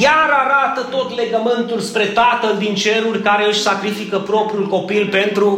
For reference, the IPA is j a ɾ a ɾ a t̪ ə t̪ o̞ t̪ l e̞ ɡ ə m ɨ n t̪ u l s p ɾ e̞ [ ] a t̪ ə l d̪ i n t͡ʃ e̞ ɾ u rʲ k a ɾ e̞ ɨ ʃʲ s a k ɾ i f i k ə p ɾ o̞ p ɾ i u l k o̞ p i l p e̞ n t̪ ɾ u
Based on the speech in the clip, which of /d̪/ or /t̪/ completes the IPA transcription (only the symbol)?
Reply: t̪